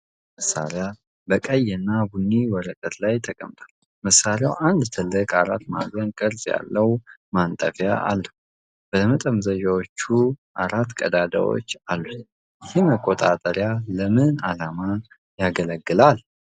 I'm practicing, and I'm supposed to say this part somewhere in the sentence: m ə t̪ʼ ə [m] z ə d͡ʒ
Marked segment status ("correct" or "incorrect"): correct